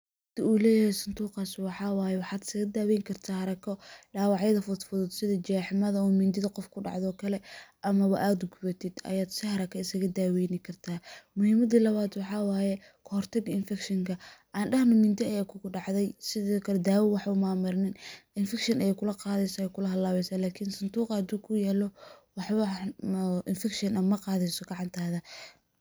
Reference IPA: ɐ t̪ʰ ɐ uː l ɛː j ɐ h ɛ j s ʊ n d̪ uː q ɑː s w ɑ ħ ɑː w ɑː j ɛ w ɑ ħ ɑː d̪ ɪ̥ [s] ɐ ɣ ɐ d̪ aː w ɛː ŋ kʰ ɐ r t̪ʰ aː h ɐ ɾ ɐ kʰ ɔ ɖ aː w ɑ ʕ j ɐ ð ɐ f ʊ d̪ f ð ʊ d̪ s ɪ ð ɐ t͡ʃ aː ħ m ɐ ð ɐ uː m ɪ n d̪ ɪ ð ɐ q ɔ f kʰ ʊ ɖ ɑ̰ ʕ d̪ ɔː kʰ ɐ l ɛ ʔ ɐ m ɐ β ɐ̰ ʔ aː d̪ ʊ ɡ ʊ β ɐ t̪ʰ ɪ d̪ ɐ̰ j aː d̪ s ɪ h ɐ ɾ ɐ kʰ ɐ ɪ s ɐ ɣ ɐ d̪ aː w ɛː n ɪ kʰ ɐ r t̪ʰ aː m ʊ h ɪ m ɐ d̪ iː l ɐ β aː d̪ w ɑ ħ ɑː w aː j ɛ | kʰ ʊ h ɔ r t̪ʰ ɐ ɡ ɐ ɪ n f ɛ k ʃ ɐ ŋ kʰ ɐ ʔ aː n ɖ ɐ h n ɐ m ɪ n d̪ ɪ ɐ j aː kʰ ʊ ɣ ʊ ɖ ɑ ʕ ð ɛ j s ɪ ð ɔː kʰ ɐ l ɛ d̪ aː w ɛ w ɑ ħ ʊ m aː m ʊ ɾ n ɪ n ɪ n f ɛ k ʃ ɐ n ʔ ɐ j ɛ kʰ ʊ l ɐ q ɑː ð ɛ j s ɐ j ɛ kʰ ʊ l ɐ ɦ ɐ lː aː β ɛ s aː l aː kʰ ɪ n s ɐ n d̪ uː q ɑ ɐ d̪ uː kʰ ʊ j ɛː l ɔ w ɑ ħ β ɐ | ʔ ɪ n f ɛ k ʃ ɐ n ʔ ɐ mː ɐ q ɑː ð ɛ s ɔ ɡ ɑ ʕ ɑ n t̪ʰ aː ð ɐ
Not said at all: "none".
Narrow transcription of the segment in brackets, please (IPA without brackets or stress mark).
s